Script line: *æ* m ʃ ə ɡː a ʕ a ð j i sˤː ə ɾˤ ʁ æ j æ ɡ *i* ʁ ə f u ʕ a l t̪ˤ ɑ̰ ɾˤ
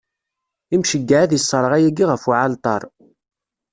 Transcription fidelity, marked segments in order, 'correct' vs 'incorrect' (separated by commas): incorrect, correct